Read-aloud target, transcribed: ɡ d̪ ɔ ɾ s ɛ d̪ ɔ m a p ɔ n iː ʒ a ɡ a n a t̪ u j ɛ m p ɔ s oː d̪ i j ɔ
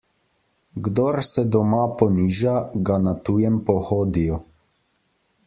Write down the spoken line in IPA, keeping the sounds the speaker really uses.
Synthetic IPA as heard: ɡ d̪ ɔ ɾ s ɛ d̪ ɔ m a p ɔ n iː ʒ a ɡ a n a t̪ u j ɛ m p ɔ x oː d̪ i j ɔ